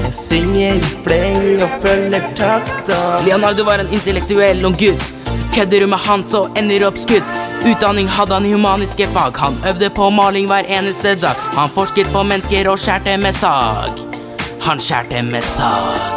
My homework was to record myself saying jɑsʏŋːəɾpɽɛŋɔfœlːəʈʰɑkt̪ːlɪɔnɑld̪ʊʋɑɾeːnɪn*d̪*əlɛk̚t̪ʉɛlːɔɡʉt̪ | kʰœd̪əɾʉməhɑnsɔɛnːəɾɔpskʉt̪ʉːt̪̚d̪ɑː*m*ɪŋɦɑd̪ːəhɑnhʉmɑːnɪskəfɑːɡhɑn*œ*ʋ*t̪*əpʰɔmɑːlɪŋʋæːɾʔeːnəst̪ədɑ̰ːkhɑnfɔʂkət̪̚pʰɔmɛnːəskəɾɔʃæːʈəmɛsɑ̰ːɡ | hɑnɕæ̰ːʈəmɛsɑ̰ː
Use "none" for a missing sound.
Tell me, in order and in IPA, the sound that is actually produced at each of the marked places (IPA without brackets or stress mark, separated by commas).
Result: t̪, n, œ, d̪